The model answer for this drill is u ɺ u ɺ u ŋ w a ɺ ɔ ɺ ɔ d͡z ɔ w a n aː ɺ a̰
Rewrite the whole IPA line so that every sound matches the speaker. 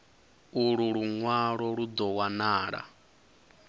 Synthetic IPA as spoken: u ɺ u ɺ u ŋ w a ɺ ɔ ɺ u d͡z ɔ w a n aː ɺ a̰